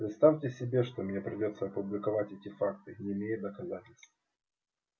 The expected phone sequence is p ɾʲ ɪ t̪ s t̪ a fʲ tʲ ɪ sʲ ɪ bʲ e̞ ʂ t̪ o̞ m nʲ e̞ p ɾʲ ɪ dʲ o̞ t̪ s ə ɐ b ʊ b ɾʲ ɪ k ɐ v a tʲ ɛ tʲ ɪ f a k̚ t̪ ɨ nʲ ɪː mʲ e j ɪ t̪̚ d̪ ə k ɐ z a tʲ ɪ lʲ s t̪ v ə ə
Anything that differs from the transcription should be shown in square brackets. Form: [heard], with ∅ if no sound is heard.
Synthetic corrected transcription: p ɾʲ ɪ t̪ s t̪ a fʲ tʲ ɪ sʲ ɪ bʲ e̞ ʂ t̪ o̞ m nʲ e̞ p ɾʲ ɪ dʲ o̞ t̪ s ə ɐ [p] ʊ b [lʲ] ɪ k ɐ v a tʲ ɛ tʲ ɪ f a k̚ t̪ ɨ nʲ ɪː mʲ e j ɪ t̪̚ d̪ ə k ɐ z a tʲ ɪ lʲ s t̪ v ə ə